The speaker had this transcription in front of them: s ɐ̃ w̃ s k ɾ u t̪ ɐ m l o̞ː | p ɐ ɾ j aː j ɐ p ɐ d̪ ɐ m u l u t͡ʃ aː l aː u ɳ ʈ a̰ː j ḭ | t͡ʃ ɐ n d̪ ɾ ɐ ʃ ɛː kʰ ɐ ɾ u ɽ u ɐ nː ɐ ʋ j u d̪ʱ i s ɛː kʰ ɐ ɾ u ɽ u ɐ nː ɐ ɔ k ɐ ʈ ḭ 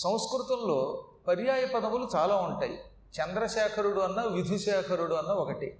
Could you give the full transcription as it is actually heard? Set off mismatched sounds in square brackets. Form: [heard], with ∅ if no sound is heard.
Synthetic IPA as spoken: s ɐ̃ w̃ s k ɾ u t̪ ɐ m l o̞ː | p ɐ ɾ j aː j ɐ p ɐ d̪ ɐ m u l u t͡ʃ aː l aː u ɳ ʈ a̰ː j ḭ | t͡ʃ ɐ n d̪ ɾ ɐ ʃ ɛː kʰ ɐ ɾ u ɽ u ɐ nː ɐ ʋ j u d̪ʱ i [ʃ] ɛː kʰ ɐ ɾ u ɽ u ɐ nː ɐ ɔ k ɐ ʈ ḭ